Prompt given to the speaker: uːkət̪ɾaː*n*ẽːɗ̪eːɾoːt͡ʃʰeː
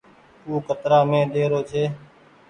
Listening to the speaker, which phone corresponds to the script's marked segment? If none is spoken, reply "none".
m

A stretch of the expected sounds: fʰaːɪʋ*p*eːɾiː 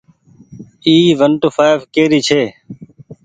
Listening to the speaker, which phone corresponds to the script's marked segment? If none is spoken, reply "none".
k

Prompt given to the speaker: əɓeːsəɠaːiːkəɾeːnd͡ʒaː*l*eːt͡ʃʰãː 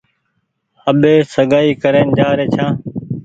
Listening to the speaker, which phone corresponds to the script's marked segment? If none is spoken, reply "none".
ɾ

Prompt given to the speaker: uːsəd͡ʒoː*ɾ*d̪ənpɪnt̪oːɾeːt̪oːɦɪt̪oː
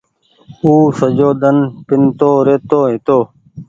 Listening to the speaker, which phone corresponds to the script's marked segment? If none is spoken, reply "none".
none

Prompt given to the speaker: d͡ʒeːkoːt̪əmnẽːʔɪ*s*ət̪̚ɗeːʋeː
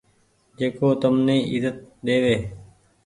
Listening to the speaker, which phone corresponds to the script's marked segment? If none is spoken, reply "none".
z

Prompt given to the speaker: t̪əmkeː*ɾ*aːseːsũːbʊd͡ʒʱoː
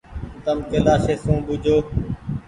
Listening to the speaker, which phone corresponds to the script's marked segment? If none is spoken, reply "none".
l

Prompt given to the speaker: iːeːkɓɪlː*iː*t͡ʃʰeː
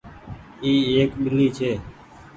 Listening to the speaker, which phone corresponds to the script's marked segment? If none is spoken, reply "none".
iː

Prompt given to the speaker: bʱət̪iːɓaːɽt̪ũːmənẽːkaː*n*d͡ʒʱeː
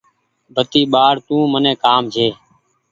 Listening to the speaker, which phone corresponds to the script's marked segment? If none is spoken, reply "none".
m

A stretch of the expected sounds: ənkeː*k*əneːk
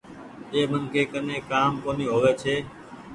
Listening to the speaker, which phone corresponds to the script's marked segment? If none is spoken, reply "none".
k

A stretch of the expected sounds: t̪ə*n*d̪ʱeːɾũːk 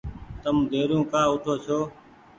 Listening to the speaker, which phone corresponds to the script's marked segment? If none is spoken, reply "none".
m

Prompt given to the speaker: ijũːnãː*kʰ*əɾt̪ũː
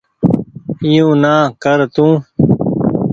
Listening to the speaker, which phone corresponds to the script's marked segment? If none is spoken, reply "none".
k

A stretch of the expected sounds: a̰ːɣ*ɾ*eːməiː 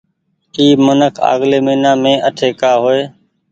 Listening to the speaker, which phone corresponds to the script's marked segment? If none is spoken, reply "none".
l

